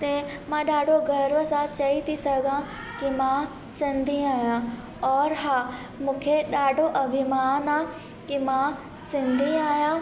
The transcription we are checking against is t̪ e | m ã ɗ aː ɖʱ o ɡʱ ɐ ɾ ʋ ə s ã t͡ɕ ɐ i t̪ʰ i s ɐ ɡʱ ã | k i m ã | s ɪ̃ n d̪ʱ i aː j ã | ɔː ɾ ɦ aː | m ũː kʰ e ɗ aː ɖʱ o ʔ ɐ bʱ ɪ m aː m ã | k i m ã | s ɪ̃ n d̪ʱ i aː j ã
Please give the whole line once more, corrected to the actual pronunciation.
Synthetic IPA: t̪ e | m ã ɗ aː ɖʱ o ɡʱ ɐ ɾ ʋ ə s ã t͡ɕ ɐ i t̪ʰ i s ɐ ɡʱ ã | k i m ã | s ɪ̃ n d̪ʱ i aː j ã | ɔː ɾ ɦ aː | m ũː kʰ e ɗ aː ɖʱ o ʔ ɐ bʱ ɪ m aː n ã | k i m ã | s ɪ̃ n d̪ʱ i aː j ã